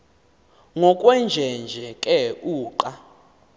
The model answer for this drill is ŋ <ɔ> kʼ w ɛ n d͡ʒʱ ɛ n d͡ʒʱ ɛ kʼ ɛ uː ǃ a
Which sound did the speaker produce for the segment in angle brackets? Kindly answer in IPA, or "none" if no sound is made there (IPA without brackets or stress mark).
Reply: ɔ